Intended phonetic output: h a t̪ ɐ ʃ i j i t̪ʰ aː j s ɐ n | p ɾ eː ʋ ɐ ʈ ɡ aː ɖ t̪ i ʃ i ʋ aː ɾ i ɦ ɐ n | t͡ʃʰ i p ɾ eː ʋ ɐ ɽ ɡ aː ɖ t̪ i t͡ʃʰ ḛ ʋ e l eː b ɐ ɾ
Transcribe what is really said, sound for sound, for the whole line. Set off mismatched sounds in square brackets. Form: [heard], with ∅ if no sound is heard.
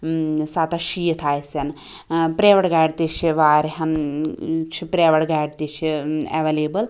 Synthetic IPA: [s] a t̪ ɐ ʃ i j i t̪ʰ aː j s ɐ n | p ɾ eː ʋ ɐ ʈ ɡ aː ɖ t̪ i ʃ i ʋ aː ɾ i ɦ ɐ n | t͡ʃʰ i p ɾ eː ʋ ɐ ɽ ɡ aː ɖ t̪ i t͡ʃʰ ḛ ʋ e l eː b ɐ [l]